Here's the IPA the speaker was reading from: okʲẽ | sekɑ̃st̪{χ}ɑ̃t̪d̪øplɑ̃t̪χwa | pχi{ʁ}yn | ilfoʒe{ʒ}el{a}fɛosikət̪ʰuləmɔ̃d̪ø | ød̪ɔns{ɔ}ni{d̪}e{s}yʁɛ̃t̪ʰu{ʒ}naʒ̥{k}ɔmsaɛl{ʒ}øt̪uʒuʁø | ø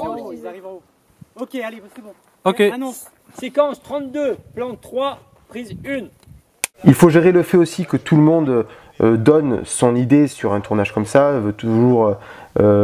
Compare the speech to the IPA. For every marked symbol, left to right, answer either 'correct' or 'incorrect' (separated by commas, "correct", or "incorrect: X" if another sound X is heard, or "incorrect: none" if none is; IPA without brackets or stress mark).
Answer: correct, incorrect: z, incorrect: ʁ, incorrect: ə, incorrect: ɔ̃, correct, correct, incorrect: ʁ, correct, incorrect: v